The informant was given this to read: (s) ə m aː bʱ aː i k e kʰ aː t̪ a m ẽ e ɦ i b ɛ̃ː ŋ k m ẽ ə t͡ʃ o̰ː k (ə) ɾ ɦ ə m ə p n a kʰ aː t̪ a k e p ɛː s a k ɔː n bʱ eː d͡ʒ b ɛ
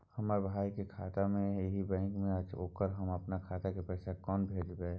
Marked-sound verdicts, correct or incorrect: incorrect, correct

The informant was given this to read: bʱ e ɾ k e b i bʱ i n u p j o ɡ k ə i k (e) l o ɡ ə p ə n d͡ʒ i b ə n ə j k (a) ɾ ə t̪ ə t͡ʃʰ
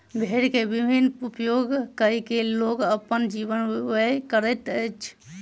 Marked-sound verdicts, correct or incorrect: correct, incorrect

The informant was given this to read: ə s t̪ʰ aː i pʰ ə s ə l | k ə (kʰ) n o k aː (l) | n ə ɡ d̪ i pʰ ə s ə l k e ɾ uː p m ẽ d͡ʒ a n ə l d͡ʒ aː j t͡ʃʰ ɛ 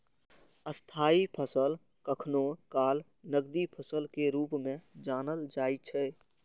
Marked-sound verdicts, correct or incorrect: correct, correct

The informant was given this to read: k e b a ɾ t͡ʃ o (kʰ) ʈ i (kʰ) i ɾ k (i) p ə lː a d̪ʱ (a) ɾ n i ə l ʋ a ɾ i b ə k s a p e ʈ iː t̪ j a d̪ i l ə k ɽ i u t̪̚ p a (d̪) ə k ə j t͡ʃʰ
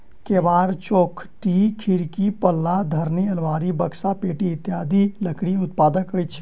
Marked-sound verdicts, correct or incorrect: correct, correct, correct, incorrect, correct

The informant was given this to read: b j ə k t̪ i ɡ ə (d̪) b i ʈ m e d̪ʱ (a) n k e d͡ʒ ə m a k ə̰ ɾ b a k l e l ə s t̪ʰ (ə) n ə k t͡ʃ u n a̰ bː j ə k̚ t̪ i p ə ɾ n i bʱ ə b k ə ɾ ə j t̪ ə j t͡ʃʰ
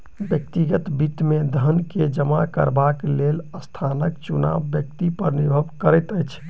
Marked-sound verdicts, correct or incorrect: incorrect, incorrect, incorrect

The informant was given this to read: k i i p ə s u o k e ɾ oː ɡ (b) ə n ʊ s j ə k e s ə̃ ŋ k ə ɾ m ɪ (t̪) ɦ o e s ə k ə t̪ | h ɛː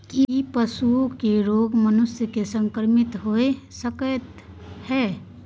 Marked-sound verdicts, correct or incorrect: incorrect, correct

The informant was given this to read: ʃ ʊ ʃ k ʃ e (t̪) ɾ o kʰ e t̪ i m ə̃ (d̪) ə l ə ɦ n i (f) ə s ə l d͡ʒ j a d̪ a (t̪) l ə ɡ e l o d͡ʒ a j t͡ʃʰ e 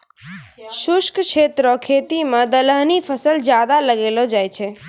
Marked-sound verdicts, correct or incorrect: correct, correct, correct, incorrect

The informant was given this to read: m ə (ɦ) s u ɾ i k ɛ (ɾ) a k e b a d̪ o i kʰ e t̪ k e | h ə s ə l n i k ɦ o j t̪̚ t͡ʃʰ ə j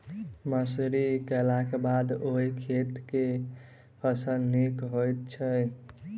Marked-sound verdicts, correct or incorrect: incorrect, incorrect

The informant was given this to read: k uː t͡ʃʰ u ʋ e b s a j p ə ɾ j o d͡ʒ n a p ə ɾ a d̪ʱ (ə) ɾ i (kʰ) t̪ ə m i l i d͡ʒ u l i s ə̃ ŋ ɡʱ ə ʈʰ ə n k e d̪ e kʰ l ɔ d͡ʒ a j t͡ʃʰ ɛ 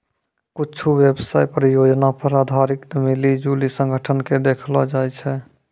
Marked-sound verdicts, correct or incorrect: incorrect, incorrect

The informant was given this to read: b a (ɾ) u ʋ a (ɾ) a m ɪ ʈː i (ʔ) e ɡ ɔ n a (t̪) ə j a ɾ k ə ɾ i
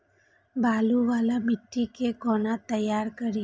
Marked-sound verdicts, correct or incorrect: incorrect, incorrect, incorrect, correct

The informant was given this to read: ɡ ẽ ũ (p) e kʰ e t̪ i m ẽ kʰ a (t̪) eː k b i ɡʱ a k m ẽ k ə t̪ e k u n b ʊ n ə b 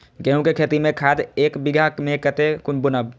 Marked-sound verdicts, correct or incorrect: incorrect, incorrect

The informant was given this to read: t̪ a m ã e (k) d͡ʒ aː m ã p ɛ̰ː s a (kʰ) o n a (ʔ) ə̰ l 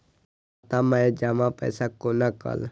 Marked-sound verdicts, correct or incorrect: incorrect, incorrect, incorrect

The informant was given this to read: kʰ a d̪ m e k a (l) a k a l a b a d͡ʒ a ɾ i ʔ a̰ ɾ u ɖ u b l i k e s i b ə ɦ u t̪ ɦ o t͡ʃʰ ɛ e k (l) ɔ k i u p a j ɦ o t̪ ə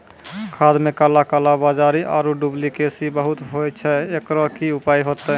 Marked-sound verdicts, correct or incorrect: correct, incorrect

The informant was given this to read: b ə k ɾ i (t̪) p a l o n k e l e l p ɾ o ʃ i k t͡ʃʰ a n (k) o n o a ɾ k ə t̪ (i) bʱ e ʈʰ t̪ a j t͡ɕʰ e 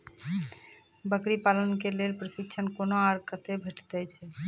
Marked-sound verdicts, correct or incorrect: incorrect, correct, incorrect

